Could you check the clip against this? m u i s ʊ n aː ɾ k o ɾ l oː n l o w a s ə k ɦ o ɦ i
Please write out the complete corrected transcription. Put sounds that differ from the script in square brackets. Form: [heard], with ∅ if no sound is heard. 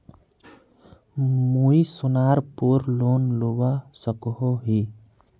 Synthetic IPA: m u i s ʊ n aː ɾ [p] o ɾ l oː n l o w a s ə k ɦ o ɦ i